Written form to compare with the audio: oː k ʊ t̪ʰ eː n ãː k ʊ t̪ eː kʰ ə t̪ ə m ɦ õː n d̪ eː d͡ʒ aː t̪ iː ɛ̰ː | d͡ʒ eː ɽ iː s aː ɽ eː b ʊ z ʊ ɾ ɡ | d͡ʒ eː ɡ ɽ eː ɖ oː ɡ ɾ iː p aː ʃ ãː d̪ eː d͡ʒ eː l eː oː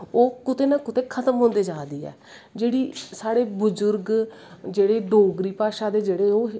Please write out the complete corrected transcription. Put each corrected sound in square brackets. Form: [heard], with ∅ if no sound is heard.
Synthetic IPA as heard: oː k ʊ [t̪] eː n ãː k ʊ t̪ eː kʰ ə t̪ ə m ɦ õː n d̪ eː d͡ʒ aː [d̪] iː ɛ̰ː | d͡ʒ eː ɽ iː s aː ɽ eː b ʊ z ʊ ɾ ɡ | d͡ʒ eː [∅] ɽ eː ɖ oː ɡ ɾ iː p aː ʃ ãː d̪ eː d͡ʒ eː [ɽ] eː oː